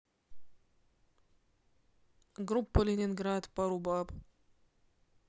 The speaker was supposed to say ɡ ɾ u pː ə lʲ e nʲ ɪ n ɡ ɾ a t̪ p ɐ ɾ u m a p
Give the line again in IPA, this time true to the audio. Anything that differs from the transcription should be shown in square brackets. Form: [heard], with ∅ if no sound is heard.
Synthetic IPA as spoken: ɡ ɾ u pː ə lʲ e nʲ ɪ n ɡ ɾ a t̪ p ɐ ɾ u [b] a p